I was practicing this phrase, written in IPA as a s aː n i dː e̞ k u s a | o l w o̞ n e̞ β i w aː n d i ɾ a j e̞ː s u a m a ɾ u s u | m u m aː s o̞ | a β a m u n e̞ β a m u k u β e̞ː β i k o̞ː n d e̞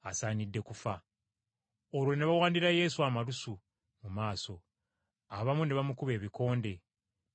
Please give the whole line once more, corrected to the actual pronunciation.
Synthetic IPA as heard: a s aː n i dː e̞ k u f a | o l w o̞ n e̞ β a w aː n d i ɾ a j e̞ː s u a m a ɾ u s u | m u m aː s o̞ | a β a m u n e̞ β a m u k u β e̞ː β i k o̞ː n d e̞